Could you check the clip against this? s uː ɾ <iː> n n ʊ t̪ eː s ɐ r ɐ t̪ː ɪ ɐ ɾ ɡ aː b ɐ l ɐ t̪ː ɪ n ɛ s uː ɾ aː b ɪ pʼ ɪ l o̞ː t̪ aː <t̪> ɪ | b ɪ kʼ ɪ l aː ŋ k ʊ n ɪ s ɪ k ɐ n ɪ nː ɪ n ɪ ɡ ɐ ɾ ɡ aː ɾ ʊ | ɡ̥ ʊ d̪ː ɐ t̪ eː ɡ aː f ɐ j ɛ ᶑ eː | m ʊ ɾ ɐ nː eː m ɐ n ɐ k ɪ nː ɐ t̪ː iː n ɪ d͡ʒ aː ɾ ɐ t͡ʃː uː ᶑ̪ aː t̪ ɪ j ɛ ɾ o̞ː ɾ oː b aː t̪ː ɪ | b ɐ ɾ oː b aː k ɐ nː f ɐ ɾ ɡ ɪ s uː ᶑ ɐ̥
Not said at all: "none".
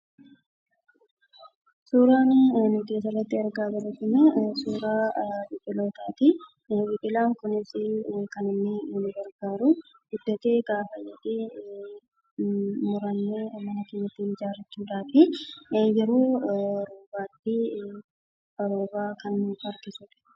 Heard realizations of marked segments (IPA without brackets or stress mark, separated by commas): aː, t̪